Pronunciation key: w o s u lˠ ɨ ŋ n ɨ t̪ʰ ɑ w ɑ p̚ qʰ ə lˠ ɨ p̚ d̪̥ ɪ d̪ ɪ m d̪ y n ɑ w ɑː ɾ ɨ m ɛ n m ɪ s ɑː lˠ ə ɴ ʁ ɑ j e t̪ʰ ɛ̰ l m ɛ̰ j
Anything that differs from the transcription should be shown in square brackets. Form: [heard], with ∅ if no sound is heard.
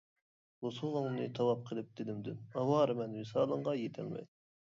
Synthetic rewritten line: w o s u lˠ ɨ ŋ n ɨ t̪ʰ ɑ w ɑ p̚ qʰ ə lˠ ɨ p̚ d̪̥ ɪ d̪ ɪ m d̪ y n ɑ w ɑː ɾ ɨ m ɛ n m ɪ s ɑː lˠ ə ɴ ʁ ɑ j e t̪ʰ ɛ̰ l m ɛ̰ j